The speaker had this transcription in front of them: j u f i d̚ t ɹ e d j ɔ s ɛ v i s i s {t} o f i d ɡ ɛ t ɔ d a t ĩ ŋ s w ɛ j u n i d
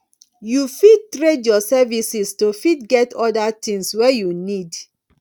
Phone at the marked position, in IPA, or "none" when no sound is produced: t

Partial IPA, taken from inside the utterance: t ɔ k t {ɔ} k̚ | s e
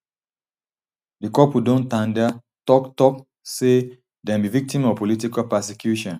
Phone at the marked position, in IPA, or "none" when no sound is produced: ɔ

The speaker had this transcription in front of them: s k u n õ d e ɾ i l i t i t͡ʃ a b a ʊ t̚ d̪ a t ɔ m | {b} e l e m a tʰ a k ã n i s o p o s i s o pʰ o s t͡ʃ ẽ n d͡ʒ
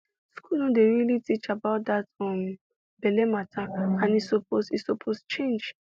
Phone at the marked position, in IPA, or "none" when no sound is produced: b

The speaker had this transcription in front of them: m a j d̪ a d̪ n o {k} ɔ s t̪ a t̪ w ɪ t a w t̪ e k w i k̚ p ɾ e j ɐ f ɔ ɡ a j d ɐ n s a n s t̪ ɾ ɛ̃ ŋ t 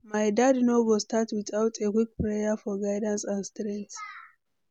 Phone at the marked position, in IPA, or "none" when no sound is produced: ɡ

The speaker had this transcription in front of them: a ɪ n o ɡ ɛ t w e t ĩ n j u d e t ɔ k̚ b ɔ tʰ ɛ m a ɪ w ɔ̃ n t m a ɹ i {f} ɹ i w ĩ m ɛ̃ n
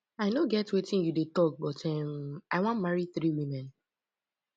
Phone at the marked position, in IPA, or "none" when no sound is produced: θ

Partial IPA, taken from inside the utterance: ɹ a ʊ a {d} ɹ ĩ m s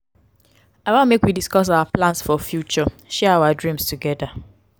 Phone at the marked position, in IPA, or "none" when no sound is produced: d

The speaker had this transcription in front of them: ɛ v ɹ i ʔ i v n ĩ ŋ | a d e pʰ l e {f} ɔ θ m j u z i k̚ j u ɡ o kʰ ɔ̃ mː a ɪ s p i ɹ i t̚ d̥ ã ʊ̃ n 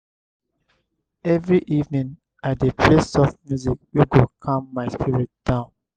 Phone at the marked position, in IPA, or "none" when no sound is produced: s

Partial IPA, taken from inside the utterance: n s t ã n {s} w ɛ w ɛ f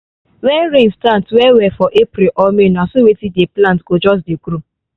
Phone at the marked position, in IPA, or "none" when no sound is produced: t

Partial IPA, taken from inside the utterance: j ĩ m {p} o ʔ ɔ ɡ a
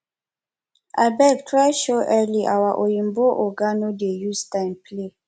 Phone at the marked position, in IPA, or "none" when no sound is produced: b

